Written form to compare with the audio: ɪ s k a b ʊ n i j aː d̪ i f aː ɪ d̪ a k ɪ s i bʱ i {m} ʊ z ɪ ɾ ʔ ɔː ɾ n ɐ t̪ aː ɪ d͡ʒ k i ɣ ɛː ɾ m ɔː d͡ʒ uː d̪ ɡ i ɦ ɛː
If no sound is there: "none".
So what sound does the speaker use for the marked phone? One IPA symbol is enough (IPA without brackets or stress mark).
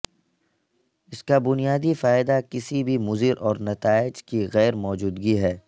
m